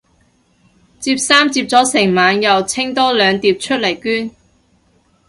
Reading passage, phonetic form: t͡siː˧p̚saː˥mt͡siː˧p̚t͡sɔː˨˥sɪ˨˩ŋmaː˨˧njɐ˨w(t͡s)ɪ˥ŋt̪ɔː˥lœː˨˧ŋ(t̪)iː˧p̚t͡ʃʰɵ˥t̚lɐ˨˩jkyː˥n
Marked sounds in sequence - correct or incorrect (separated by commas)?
incorrect, correct